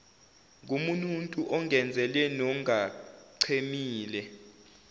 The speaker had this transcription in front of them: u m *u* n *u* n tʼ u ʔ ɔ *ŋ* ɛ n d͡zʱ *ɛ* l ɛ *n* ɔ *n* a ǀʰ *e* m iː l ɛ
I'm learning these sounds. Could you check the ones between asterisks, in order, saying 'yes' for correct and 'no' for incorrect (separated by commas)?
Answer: yes, yes, yes, yes, yes, no, yes